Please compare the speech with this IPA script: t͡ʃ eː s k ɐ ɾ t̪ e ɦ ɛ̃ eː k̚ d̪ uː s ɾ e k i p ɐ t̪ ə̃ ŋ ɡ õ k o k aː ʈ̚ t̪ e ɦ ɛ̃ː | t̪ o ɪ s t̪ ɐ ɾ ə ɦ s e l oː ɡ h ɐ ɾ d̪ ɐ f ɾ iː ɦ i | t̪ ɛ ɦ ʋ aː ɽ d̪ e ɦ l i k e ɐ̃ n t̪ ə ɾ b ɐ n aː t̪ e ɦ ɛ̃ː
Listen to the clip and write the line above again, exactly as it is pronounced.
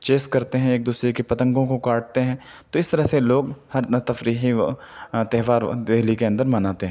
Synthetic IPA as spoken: t͡ʃ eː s k ɐ ɾ t̪ e ɦ ɛ̃ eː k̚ d̪ uː s ɾ e k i p ɐ t̪ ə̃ ŋ ɡ õ k o k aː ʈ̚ t̪ e ɦ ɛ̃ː | t̪ o ɪ s t̪ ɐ ɾ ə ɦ s e l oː ɡ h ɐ ɾ t̪ ɐ f ɾ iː ɦ i | t̪ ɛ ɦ ʋ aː ɾ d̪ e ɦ l i k e ɐ̃ n d̪ ə ɾ m ɐ n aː t̪ e ɦ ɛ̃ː